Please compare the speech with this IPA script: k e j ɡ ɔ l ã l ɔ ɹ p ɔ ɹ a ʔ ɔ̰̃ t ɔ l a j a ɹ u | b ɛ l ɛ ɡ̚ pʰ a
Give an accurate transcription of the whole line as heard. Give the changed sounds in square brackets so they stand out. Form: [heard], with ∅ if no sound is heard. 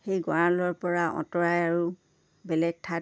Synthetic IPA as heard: [x] e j ɡ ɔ [ɹ] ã l ɔ ɹ p ɔ ɹ a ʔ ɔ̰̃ t ɔ [ɹ] a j a ɹ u | b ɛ l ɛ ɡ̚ [tʰ] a